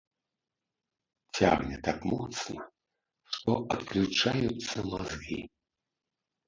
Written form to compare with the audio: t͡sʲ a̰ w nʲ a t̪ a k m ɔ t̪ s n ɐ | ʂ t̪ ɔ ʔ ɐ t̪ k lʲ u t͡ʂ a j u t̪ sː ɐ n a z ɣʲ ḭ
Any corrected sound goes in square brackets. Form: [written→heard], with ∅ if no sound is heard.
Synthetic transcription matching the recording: t͡sʲ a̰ [w→ɣ] nʲ [a→ɛ] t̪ a k m ɔ t̪ s n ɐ | ʂ t̪ ɔ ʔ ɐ t̪ k lʲ u t͡ʂ a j u t̪ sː ɐ [n→m] a z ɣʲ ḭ